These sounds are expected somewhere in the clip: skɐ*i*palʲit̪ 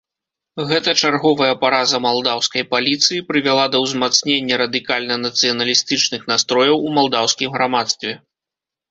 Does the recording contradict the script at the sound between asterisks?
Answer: yes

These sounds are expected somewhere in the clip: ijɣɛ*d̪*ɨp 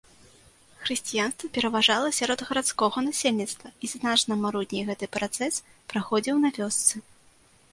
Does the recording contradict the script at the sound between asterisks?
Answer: yes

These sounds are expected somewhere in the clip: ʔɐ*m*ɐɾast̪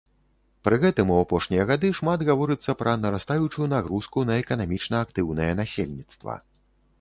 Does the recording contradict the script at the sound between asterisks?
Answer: yes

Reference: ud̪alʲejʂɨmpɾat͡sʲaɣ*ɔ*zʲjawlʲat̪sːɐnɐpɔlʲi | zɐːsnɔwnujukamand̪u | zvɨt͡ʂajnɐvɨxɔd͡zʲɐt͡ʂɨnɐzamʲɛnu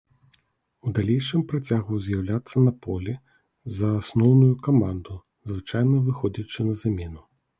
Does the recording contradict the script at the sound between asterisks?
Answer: yes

